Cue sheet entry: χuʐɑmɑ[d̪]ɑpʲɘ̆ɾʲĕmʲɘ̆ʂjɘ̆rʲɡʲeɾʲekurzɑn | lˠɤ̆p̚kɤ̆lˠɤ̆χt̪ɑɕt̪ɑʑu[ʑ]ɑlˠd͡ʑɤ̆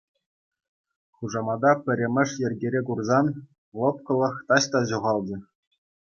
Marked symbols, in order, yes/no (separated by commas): yes, no